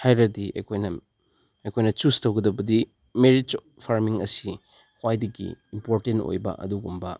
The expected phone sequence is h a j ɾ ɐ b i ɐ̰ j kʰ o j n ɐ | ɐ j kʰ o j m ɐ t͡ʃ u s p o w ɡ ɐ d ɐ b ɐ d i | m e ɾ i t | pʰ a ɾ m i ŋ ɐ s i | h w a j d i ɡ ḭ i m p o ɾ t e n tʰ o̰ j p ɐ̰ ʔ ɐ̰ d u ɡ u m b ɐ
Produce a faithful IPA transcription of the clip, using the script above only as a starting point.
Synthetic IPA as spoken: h a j ɾ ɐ d i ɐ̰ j kʰ o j n ɐ | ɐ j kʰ o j n ɐ t͡ʃ u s t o w ɡ ɐ d ɐ b ɐ d i | m e ɾ i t | pʰ a ɾ m i ŋ ɐ s i | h w a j d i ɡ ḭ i m p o ɾ t e n t o̰ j b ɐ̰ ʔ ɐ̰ d u ɡ u m b ɐ